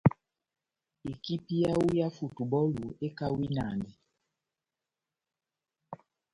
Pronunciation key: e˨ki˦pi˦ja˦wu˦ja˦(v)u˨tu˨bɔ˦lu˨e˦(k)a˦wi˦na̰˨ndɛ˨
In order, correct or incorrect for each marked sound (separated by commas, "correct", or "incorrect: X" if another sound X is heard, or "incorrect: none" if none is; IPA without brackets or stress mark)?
incorrect: f, correct